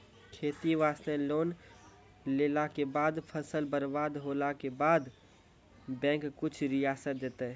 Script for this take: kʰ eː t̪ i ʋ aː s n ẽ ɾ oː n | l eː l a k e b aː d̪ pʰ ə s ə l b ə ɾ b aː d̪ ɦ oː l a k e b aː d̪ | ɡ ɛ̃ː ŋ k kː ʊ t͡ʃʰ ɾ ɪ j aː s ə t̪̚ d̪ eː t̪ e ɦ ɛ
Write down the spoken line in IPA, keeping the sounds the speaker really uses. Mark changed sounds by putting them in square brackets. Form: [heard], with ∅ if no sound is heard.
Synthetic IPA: kʰ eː t̪ i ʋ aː s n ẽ [l] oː n | l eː l a k e b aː d̪ pʰ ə s ə l b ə ɾ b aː d̪ ɦ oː l a k e b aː d̪ | [b] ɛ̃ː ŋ k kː ʊ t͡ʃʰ ɾ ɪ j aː s ə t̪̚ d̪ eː t̪ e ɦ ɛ